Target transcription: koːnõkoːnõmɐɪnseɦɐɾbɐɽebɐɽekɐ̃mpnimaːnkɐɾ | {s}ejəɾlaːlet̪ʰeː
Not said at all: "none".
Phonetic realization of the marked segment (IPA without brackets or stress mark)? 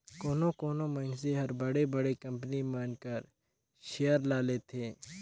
ʃ